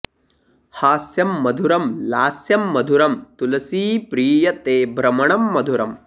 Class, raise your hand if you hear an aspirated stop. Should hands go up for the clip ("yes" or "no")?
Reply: no